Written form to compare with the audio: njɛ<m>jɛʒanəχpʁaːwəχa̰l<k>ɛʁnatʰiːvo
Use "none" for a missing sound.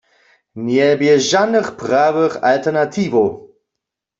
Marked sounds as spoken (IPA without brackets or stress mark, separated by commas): b, t